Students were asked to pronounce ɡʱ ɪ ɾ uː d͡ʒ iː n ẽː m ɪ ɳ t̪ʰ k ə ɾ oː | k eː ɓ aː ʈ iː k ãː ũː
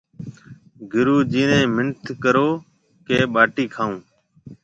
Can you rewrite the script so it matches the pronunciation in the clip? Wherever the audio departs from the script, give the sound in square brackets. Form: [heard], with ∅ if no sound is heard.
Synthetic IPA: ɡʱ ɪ ɾ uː d͡ʒ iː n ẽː m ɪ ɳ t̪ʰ k ə ɾ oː | k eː ɓ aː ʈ iː [kʰ] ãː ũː